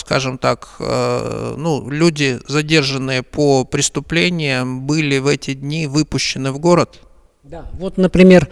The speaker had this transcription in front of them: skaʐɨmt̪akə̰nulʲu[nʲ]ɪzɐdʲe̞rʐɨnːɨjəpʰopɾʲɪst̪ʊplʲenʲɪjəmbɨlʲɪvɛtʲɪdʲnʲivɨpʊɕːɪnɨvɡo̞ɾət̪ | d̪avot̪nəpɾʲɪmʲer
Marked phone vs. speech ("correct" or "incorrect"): incorrect